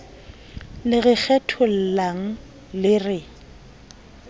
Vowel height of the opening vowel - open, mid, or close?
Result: close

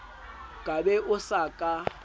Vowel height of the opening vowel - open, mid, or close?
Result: open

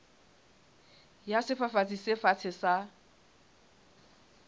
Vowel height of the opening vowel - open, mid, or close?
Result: open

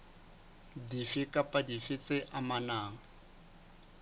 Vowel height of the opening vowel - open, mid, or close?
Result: close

